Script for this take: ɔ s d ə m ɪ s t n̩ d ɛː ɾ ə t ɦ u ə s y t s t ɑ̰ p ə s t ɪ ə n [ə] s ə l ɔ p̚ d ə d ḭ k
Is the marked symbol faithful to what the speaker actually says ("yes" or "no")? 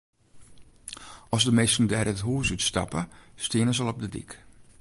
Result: yes